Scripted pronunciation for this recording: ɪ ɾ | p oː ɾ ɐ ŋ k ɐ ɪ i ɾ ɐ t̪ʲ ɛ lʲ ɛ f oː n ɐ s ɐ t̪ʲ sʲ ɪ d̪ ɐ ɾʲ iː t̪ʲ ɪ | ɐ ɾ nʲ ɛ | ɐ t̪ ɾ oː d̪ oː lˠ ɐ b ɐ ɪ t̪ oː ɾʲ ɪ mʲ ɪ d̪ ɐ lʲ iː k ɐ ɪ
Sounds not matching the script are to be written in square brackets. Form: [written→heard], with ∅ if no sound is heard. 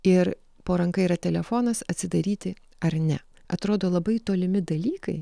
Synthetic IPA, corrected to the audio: ɪ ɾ | p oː ɾ ɐ ŋ k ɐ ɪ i ɾ ɐ t̪ʲ ɛ lʲ ɛ f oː n ɐ s ɐ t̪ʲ sʲ ɪ d̪ ɐ ɾʲ iː t̪ʲ ɪ | ɐ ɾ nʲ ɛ | ɐ t̪ ɾ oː d̪ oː lˠ ɐ b ɐ ɪ t̪ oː [ɾʲ→lʲ] ɪ mʲ ɪ d̪ ɐ lʲ iː k ɐ ɪ